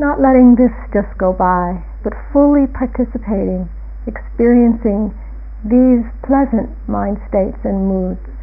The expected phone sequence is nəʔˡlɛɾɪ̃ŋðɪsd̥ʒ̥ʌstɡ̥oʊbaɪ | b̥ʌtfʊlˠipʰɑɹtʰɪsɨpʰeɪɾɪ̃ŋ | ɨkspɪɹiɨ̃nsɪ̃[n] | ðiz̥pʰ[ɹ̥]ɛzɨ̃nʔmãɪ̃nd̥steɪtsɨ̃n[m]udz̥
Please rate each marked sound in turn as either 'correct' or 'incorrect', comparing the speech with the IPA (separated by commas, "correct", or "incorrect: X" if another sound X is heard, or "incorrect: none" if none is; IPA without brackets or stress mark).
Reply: incorrect: ŋ, incorrect: l̥, correct